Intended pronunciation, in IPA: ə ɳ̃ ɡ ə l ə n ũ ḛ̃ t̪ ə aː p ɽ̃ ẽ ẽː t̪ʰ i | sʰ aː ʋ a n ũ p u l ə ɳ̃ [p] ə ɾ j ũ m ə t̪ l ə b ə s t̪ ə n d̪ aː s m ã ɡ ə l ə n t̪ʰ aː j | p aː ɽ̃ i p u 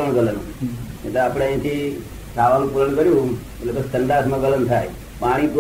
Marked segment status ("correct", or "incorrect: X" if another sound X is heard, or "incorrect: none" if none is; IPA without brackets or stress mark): incorrect: k